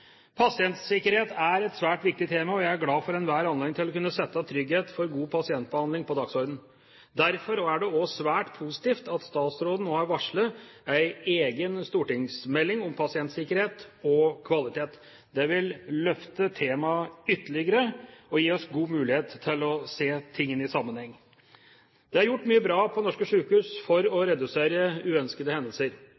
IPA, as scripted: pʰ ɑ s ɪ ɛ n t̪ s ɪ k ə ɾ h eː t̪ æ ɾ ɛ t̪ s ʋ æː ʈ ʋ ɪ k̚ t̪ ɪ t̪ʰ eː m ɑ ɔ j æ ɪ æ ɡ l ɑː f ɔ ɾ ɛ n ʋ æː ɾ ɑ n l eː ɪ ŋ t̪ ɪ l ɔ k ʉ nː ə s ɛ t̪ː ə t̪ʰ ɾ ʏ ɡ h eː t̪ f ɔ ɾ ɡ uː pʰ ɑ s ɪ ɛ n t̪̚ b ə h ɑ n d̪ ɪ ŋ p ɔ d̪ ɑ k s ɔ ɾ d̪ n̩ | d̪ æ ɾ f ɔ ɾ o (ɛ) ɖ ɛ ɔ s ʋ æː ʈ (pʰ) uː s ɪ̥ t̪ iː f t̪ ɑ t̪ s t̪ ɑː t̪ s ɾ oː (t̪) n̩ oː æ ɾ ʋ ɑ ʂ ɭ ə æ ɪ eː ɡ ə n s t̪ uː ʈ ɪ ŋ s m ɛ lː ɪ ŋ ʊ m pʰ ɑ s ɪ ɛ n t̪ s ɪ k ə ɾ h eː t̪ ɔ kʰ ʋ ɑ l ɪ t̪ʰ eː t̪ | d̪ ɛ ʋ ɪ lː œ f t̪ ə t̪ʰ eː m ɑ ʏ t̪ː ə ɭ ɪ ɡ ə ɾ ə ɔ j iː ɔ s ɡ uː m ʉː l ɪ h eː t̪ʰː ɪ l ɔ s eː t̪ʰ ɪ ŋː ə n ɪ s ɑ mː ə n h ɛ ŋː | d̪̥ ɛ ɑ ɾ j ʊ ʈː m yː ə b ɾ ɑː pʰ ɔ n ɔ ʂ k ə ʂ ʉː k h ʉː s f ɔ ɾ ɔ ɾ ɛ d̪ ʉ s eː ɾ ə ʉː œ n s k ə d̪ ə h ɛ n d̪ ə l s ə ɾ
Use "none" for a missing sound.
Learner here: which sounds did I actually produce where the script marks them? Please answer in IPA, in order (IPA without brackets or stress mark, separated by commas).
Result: æ, pʰ, d̪